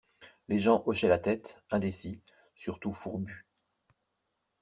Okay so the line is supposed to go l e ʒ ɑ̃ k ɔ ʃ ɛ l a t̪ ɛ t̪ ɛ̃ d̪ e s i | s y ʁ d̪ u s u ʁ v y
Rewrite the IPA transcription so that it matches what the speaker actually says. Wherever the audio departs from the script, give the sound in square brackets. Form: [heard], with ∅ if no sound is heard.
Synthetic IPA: l e ʒ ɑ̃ [ʔ] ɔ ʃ ɛ l a t̪ ɛ t̪ ɛ̃ d̪ e s i | s y ʁ [t̪] u [f] u ʁ [b] y